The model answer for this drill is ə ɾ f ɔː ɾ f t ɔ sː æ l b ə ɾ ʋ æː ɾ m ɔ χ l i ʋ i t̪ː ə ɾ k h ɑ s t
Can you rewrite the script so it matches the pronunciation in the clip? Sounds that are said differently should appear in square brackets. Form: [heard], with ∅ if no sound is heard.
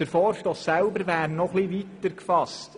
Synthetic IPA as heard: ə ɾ f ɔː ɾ [ʃ] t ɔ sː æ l b ə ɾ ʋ æː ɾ [n] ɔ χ l i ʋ i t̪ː ə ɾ k [f] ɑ s t